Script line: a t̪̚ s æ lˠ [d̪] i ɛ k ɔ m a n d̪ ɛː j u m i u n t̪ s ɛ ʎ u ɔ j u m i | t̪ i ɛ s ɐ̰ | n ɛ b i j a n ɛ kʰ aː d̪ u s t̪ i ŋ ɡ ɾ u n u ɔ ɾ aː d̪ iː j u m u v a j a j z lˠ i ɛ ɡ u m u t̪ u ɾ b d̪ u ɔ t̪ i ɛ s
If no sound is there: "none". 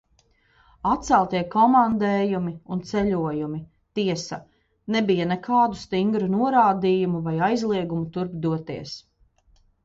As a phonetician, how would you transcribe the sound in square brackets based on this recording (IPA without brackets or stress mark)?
t̪